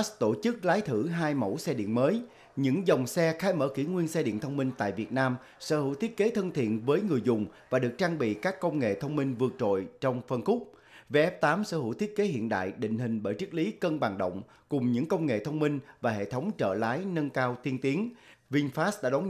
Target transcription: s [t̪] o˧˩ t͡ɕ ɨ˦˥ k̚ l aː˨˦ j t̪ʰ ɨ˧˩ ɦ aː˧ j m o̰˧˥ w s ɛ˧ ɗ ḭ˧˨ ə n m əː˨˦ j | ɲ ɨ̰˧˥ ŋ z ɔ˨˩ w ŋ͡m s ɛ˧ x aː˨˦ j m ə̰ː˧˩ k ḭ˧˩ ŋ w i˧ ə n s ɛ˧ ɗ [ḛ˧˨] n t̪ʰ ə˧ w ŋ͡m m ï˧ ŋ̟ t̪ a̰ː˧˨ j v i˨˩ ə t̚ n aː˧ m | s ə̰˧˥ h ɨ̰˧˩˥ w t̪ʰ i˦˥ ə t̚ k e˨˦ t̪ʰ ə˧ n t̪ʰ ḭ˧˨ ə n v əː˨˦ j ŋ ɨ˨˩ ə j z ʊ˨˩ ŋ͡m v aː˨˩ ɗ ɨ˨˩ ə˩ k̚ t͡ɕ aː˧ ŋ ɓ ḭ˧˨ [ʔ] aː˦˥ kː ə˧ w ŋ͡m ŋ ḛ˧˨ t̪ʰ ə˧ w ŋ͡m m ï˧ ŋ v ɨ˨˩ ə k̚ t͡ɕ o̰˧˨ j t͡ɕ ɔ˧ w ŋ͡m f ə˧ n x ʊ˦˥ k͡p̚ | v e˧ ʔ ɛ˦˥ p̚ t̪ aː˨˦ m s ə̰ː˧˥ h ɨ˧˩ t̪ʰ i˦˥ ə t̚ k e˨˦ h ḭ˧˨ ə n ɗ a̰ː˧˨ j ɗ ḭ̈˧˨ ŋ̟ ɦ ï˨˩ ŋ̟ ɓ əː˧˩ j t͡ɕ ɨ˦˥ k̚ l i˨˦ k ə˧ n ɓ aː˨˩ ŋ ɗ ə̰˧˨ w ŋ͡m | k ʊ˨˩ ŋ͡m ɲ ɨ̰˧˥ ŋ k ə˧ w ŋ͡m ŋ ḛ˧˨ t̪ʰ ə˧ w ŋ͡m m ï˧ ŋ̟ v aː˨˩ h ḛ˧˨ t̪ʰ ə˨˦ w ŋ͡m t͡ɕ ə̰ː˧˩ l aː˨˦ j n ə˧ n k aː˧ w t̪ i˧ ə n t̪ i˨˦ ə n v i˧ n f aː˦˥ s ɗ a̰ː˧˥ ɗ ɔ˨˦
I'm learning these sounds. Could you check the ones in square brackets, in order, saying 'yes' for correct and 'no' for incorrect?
yes, no, no

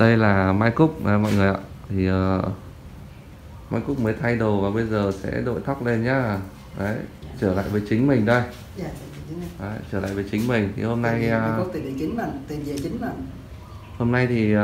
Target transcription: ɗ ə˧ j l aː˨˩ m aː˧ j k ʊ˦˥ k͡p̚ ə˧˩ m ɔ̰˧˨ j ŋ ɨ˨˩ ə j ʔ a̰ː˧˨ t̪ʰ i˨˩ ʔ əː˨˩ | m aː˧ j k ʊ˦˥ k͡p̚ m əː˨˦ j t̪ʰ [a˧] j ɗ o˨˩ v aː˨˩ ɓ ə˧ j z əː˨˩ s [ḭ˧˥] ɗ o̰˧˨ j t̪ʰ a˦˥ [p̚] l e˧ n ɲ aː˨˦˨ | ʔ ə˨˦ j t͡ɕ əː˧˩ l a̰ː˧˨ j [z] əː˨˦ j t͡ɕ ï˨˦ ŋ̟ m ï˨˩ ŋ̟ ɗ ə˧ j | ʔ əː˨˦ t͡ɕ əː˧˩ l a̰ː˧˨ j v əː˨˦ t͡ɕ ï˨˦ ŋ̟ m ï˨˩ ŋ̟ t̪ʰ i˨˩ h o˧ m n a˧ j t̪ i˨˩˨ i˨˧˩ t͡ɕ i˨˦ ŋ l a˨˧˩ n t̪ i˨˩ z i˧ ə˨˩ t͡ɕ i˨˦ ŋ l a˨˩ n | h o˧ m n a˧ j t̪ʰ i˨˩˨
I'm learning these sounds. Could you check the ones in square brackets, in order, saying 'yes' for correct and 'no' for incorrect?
yes, no, no, no

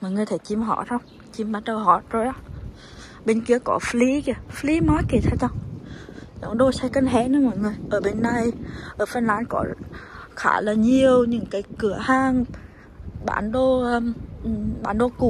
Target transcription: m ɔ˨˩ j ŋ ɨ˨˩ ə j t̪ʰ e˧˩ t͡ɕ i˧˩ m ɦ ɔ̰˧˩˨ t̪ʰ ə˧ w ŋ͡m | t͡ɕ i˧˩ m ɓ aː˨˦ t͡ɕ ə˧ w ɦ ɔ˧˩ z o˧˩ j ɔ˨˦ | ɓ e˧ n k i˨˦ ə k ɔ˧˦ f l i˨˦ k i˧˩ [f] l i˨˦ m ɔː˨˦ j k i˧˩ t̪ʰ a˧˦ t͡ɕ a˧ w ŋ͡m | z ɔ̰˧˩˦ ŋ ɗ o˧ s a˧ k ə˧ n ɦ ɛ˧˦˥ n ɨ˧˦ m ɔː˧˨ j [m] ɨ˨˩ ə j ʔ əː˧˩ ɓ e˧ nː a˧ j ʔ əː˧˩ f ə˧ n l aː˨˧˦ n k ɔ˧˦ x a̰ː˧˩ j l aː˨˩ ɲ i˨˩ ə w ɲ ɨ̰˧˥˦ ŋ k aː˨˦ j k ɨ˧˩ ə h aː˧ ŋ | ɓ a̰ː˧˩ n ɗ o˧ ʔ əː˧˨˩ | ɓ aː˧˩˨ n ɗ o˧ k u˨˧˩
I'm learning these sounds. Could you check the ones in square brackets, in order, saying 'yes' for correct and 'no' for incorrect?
yes, no

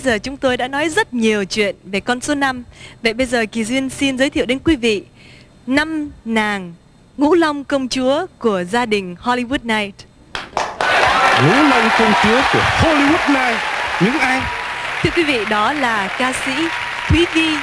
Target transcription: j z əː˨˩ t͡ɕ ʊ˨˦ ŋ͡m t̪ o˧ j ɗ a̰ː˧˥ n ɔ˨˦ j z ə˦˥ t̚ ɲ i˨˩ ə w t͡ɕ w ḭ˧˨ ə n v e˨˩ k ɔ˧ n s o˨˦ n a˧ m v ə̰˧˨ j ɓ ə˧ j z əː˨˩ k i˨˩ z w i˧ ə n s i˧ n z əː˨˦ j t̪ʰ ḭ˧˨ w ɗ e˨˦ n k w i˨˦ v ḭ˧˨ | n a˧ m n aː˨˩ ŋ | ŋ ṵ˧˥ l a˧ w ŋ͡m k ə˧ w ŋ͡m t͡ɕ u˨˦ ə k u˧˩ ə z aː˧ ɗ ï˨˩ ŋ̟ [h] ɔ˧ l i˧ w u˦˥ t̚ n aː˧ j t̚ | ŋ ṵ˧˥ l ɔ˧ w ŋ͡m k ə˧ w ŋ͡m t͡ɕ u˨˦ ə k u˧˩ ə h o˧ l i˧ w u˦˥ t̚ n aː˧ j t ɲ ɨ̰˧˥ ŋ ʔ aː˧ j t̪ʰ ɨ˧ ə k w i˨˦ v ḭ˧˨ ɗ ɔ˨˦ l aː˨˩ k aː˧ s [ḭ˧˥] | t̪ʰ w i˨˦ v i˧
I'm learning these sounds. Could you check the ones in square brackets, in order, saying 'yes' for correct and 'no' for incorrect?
yes, yes

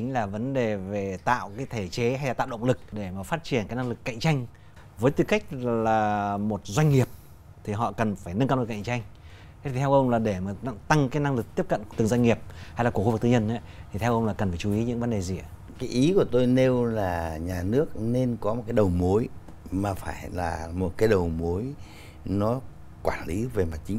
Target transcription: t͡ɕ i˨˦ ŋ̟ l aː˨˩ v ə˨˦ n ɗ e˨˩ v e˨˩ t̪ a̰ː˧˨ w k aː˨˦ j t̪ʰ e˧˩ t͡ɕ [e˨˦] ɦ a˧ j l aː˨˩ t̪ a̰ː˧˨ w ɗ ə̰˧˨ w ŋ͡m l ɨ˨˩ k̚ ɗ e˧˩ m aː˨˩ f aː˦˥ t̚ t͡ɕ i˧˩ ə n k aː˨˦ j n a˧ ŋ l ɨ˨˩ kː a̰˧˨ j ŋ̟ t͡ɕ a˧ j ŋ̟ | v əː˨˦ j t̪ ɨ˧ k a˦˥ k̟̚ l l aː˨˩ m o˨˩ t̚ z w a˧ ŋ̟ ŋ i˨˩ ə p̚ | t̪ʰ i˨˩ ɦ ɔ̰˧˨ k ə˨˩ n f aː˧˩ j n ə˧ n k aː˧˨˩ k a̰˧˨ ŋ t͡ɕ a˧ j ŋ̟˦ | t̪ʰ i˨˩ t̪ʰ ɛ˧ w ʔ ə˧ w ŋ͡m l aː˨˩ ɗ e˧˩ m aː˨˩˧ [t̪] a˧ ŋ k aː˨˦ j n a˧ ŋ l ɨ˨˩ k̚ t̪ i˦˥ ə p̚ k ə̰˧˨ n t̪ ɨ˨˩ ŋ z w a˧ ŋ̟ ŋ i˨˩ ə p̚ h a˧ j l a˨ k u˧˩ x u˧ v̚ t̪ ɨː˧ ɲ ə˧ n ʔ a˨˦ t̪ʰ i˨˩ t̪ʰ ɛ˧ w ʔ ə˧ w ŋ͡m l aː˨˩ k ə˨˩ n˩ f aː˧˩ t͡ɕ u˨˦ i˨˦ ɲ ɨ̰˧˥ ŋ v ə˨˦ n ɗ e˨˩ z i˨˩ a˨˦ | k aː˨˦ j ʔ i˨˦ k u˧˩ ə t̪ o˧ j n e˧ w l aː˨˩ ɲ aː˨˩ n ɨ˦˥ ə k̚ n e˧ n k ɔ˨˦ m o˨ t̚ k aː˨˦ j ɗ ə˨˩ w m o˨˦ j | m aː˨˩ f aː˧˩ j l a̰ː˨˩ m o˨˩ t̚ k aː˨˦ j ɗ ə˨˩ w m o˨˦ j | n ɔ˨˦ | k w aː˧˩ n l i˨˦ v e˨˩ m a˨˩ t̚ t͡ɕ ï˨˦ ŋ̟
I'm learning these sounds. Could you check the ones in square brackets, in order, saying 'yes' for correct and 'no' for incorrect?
yes, yes

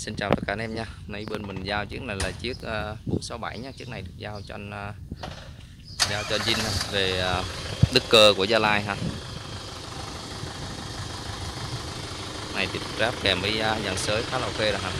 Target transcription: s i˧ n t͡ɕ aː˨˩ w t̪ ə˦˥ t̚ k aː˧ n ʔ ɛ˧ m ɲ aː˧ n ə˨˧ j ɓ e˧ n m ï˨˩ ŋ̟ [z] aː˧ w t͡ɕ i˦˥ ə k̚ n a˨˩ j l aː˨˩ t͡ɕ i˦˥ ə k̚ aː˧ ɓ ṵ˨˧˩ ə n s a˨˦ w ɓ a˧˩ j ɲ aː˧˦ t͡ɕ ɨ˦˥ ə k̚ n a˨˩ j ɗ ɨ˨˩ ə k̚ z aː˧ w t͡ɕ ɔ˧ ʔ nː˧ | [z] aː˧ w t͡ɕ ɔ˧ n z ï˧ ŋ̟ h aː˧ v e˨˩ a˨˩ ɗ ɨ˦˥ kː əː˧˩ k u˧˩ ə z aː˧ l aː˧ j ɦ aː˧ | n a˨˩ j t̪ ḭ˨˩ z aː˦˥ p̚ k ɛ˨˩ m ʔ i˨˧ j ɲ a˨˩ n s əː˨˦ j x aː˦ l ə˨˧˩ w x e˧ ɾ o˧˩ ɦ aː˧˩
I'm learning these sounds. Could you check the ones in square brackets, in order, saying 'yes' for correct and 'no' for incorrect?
yes, yes

